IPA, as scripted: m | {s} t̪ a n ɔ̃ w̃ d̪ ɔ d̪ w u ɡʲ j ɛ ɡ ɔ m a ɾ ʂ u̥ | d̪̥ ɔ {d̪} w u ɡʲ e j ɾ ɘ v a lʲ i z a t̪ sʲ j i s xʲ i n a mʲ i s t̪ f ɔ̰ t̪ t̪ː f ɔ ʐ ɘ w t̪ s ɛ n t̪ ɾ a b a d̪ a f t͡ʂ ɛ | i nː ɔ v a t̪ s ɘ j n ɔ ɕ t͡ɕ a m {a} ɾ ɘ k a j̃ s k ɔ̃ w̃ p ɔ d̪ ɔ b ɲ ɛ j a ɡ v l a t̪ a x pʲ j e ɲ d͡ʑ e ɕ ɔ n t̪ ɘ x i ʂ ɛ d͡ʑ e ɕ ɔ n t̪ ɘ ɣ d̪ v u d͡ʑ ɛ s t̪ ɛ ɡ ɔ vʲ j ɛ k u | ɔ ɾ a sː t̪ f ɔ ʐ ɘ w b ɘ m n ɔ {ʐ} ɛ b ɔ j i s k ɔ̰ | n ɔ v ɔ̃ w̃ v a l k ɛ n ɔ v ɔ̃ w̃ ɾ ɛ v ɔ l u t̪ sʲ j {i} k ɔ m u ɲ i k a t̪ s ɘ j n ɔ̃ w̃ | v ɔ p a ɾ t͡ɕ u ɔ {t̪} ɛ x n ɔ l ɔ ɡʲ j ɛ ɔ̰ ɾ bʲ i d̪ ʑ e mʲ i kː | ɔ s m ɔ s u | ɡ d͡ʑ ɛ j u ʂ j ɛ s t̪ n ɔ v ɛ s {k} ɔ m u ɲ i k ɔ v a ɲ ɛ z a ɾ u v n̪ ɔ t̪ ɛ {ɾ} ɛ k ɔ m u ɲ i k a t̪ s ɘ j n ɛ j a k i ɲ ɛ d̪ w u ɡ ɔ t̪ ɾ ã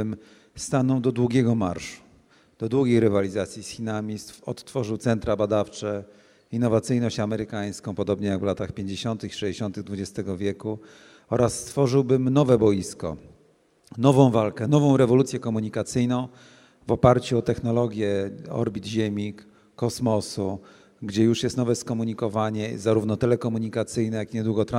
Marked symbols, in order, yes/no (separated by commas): yes, yes, no, no, no, yes, yes, no